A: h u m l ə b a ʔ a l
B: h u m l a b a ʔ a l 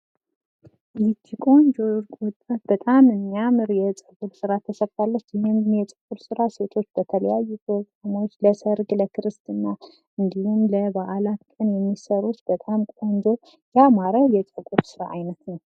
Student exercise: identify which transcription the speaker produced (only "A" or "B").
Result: A